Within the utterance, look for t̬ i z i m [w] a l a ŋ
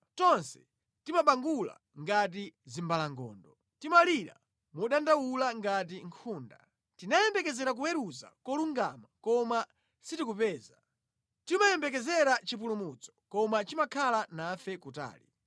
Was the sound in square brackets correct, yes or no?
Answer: no